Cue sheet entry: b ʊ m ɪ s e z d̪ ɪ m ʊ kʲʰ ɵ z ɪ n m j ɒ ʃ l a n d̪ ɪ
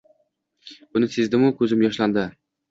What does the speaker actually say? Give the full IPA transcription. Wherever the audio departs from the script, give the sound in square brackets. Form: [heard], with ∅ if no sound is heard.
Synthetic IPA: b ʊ [n] ɪ s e z d̪ ɪ m ʊ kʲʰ ɵ z ɪ [∅] m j ɒ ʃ l a n d̪ ɪ